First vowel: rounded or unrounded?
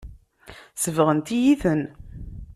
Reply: unrounded